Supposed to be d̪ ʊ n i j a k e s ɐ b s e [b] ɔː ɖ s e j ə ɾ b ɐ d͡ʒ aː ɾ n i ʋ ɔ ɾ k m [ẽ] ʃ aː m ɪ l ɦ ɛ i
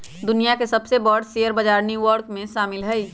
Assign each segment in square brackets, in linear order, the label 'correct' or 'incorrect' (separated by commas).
correct, correct